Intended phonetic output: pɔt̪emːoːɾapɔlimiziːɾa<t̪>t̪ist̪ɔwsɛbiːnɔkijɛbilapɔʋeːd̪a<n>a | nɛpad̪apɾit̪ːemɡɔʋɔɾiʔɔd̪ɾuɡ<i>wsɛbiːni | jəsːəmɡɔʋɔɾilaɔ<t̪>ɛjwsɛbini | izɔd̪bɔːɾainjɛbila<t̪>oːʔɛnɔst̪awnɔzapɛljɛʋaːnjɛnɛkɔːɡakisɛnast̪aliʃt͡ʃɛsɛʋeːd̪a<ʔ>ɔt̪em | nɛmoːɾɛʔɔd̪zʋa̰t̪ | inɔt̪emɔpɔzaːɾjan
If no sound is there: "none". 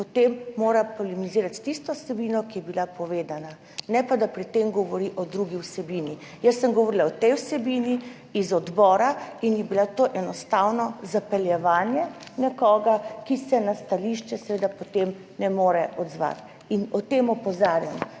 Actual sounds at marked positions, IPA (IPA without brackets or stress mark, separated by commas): t̪, n, i, t̪, t̪, p